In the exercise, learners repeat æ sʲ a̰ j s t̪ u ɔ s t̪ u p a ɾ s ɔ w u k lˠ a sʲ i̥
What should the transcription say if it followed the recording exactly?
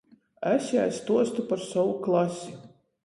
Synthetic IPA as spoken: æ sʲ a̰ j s t̪ u ɔ s t̪ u p a ɾ s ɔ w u k lˠ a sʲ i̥